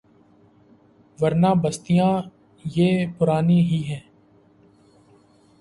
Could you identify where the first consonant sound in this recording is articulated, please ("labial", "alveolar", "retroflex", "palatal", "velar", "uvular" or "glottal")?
labial